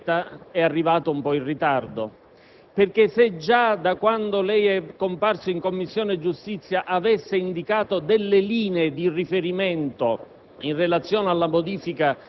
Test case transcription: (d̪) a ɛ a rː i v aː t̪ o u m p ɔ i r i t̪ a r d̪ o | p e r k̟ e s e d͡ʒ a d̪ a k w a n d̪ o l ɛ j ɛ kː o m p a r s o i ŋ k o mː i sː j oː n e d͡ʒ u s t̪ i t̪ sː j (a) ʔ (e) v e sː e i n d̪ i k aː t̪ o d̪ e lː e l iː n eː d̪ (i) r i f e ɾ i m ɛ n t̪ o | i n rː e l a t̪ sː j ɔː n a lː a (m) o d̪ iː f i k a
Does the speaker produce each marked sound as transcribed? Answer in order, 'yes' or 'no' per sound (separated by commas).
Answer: no, yes, no, yes, yes